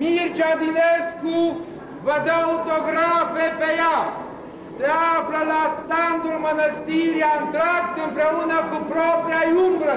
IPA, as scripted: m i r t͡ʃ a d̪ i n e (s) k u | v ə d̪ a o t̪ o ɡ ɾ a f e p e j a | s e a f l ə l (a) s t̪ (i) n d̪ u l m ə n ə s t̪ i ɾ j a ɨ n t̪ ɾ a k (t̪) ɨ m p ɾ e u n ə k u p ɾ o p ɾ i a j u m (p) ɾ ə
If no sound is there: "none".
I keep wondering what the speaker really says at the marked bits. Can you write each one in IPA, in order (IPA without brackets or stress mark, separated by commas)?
s, a, a, t̪, b